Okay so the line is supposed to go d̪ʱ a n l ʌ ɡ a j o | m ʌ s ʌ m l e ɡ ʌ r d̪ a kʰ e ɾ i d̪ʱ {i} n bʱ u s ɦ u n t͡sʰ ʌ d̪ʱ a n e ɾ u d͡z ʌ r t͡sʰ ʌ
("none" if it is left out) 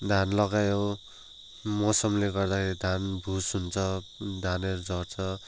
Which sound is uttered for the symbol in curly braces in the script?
a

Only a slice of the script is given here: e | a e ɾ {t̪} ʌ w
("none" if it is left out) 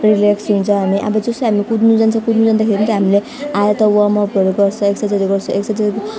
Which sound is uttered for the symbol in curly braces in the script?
t̪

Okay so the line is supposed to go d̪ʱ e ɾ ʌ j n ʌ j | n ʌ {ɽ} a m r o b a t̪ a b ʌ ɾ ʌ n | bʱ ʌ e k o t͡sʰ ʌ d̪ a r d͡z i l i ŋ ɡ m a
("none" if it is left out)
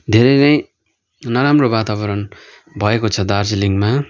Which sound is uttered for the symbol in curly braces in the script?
ɾ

